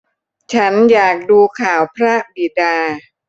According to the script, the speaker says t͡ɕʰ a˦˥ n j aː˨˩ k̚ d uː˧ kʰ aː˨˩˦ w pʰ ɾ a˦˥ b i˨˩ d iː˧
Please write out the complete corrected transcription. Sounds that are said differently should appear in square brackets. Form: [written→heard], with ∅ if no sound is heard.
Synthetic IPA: t͡ɕʰ a˦˥ n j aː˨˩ k̚ d uː˧ kʰ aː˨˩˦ w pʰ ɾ a˦˥ b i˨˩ d [iː˧→aː˧]